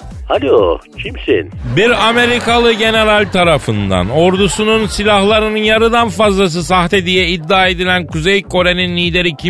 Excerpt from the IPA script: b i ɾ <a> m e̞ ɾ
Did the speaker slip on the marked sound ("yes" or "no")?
no